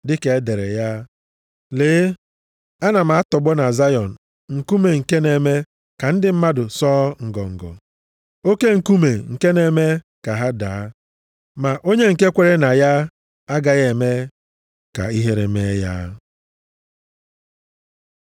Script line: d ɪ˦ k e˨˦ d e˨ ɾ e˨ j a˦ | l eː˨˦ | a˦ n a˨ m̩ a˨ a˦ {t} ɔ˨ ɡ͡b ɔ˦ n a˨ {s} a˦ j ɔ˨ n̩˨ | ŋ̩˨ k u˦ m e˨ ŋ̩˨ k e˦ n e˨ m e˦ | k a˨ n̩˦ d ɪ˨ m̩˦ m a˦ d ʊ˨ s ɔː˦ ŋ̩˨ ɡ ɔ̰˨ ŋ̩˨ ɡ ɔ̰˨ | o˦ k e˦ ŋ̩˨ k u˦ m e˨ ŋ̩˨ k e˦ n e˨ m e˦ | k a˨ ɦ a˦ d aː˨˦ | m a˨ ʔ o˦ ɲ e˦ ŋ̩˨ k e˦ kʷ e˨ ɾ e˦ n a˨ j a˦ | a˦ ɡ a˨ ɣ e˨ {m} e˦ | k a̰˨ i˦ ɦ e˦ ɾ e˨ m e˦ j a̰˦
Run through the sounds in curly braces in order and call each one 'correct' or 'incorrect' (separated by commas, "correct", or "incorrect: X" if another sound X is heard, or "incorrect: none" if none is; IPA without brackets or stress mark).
correct, incorrect: z, correct